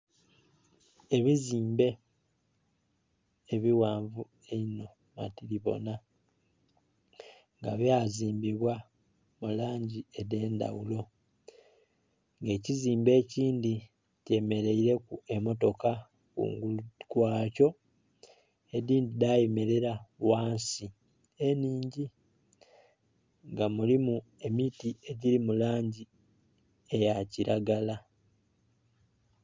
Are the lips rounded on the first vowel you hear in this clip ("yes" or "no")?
no